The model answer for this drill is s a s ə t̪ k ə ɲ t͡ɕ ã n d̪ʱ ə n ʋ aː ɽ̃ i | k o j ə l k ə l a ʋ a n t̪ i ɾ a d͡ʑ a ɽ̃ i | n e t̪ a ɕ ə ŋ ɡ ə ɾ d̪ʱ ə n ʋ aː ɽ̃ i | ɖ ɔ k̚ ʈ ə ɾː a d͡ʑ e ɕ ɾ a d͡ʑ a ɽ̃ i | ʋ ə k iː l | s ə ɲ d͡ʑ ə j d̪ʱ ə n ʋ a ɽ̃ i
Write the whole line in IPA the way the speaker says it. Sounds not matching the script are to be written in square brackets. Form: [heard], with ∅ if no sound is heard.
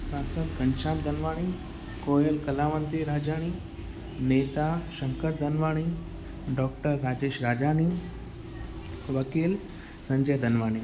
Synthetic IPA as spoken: s a s ə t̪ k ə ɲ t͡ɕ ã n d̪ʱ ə n ʋ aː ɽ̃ i | k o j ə l k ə l a ʋ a n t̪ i ɾ a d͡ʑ a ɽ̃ i | n e t̪ a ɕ ə ŋ [k] ə ɾ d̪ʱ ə n ʋ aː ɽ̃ i | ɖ ɔ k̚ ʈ ə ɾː a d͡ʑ e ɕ ɾ a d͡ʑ a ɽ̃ i | ʋ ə k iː l | s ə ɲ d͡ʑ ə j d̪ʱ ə n ʋ a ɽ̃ i

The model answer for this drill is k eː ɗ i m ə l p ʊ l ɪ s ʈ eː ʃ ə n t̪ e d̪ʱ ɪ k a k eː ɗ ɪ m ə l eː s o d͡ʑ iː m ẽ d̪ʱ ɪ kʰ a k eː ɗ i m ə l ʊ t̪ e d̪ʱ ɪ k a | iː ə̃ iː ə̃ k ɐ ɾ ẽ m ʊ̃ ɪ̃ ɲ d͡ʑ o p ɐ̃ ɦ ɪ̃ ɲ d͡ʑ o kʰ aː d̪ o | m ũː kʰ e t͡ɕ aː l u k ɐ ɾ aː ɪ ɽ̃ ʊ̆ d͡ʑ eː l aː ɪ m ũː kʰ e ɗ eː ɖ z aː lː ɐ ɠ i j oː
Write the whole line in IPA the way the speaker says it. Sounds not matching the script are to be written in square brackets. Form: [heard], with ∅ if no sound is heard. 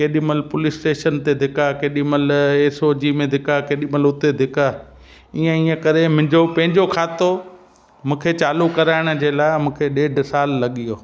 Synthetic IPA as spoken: k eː ɗ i m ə l p ʊ l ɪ s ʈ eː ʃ ə n t̪ e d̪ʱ ɪ k a k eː ɗ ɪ m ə l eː s o d͡ʑ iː m ẽ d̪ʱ ɪ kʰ a k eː ɗ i m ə l ʊ t̪ e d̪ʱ ɪ k a | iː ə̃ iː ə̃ k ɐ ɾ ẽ m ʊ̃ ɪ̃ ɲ d͡ʑ o p ɐ̃ ɦ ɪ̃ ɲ d͡ʑ o kʰ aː [t̪] o | m ũː kʰ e t͡ɕ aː l u k ɐ ɾ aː ɪ ɽ̃ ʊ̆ d͡ʑ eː l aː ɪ m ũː kʰ e ɗ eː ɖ [s] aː lː ɐ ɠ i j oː

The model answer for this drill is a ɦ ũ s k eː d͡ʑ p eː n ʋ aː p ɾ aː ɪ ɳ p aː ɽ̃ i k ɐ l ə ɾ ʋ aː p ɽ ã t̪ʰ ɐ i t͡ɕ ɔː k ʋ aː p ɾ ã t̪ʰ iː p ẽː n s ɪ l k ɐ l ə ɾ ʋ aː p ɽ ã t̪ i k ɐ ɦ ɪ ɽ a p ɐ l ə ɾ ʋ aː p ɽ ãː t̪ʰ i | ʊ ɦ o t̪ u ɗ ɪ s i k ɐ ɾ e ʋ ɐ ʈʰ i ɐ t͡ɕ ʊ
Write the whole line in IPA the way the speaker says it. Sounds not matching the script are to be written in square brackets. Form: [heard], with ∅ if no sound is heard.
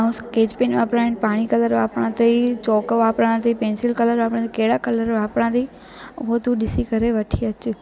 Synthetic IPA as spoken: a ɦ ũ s k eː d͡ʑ p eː n ʋ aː p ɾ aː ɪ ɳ p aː ɽ̃ i k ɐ l ə ɾ ʋ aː p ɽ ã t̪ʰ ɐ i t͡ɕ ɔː k ʋ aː p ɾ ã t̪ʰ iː p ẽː n s ɪ l k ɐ l ə ɾ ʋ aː p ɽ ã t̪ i k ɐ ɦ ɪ ɽ a [k] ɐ l ə ɾ ʋ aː p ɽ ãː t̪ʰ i | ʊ ɦ o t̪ u ɗ ɪ s i k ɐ ɾ e ʋ ɐ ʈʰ i ɐ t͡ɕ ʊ

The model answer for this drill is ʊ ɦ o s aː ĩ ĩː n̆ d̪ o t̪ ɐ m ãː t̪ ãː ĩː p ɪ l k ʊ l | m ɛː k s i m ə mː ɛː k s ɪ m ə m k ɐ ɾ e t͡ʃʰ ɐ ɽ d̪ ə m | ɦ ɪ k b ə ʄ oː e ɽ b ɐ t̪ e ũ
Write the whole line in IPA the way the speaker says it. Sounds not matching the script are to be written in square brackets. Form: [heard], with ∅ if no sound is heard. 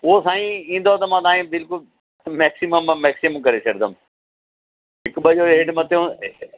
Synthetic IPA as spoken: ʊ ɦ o s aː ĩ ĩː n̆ d̪ o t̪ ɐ m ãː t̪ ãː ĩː [b] ɪ l k ʊ l | m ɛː k s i m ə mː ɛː k s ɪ m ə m k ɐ ɾ e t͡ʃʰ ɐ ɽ d̪ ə m | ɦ ɪ k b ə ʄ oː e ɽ [m] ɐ t̪ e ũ

